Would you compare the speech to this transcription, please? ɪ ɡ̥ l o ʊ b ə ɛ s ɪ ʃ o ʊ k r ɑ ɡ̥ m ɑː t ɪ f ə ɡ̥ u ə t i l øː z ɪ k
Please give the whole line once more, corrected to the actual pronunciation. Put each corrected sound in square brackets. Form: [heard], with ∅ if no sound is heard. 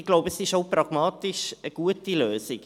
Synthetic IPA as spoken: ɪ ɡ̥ l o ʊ b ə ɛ s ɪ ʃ o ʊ [p] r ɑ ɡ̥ m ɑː t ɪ [ʃ] ə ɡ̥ u ə t i l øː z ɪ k